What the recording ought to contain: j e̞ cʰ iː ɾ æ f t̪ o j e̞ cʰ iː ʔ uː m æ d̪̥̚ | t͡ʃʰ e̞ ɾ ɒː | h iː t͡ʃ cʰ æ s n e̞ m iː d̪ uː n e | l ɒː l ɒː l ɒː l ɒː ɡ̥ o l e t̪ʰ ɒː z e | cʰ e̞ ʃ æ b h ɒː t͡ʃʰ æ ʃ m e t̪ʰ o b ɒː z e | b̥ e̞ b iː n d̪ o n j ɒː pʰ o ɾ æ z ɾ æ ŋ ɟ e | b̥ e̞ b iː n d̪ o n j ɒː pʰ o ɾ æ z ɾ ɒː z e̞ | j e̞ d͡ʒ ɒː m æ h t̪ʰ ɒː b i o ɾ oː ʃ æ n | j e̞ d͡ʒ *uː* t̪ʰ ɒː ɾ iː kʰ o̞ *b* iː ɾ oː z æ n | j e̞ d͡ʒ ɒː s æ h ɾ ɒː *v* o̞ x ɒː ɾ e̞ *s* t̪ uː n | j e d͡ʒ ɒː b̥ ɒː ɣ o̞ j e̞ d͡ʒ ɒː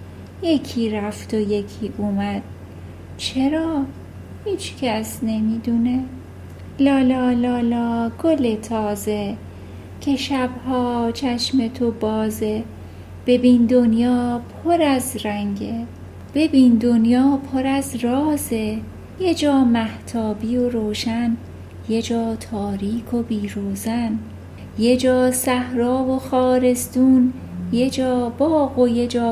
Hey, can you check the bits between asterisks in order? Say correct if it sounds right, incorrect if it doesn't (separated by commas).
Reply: incorrect, correct, correct, correct